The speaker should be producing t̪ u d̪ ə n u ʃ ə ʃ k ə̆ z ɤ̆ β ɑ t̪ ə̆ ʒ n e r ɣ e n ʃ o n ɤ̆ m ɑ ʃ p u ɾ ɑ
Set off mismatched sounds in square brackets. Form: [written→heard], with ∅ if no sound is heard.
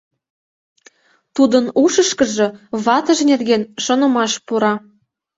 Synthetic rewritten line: t̪ u d̪ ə n u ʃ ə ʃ k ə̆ [z→ʒ] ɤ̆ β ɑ t̪ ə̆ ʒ n e r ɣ e n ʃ o n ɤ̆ m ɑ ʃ p u ɾ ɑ